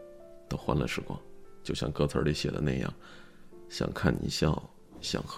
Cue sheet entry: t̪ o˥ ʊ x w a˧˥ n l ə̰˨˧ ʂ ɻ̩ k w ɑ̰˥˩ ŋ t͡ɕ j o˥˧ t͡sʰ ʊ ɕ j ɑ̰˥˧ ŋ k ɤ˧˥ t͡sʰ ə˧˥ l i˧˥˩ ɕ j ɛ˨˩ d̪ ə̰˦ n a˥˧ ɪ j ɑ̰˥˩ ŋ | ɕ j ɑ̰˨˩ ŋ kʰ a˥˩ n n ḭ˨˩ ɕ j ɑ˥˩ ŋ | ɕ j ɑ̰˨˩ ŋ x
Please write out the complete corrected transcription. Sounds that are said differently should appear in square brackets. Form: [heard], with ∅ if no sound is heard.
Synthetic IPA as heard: t̪ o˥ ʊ x w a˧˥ n l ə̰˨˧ ʂ ɻ̩ k w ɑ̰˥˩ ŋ t͡ɕ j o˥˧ [∅] ʊ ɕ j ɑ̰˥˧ ŋ k [ɤ˥˩] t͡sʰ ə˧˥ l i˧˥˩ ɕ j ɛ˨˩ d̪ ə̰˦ n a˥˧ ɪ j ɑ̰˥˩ ŋ | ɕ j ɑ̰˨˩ ŋ kʰ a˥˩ n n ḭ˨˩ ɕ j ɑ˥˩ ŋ | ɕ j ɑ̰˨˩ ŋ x